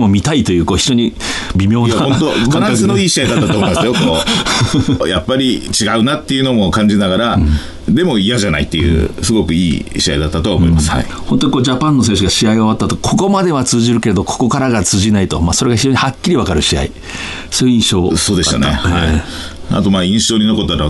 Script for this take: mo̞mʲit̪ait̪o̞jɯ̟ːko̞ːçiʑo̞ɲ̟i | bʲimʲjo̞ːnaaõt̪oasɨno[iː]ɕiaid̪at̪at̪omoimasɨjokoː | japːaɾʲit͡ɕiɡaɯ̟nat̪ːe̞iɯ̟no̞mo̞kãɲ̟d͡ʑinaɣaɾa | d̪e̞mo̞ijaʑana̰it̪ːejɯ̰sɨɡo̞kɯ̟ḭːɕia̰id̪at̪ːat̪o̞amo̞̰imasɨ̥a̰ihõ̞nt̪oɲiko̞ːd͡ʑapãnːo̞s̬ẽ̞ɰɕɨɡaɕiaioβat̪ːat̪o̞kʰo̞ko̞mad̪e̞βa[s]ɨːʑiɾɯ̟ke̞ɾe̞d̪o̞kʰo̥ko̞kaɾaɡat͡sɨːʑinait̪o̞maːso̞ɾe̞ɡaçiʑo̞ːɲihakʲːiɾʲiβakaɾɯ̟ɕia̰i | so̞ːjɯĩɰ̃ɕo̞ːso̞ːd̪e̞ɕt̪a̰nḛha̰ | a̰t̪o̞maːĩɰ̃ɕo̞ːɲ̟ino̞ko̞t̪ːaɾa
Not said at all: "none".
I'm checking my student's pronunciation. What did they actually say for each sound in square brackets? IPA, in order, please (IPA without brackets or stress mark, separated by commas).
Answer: iː, t͡s